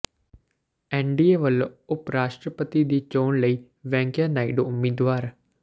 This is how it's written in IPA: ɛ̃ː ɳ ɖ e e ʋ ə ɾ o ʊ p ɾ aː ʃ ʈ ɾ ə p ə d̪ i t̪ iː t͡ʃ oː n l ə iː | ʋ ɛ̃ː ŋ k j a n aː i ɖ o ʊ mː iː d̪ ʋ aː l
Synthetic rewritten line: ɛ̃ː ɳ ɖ i e ʋ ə l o ʊ p ɾ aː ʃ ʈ ɾ ə p ə t̪ i d̪ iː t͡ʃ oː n l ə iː | ʋ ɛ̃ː ŋ k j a n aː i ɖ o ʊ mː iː d̪ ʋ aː ɾ